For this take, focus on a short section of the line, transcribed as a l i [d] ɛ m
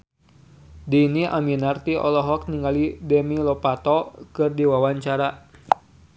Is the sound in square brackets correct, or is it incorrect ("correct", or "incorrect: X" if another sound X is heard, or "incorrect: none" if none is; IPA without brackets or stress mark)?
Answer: correct